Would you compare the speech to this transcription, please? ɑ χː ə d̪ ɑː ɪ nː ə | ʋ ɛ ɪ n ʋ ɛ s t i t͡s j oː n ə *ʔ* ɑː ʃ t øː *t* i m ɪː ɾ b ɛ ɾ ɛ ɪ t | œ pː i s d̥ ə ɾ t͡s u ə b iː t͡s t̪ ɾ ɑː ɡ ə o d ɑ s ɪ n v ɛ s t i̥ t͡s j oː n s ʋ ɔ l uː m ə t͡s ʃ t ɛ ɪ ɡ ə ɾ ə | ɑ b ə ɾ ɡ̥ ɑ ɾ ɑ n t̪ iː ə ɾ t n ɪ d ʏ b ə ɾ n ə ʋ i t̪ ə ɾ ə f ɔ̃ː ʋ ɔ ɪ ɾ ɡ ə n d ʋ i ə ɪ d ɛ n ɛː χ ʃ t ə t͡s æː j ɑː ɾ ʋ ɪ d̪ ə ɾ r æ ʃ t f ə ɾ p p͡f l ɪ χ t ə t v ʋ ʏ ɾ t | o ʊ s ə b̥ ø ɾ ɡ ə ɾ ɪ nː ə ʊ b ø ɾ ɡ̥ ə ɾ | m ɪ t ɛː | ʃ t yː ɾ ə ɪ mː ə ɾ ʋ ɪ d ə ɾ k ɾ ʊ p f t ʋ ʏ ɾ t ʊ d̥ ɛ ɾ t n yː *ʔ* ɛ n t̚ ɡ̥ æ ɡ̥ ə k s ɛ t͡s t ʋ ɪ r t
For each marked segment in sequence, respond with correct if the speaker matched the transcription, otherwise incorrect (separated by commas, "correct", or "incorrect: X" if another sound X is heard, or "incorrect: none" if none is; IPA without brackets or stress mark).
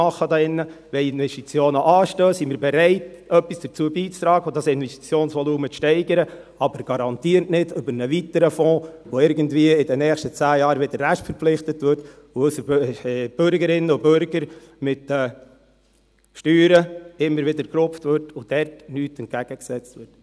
correct, incorrect: s, incorrect: t